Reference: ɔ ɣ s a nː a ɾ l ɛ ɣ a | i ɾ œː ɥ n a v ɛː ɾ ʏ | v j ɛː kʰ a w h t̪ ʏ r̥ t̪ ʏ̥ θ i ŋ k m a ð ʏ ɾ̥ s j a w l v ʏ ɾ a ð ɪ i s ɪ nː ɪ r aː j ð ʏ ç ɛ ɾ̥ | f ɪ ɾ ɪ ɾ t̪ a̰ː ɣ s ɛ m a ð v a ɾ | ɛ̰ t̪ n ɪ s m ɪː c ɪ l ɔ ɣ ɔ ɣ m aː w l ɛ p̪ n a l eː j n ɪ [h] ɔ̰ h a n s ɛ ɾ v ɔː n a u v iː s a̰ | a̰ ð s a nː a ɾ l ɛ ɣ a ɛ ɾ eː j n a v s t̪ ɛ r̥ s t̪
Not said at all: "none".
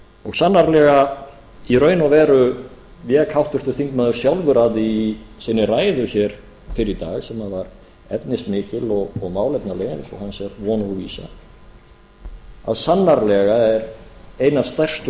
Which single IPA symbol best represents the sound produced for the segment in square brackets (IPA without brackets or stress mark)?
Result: s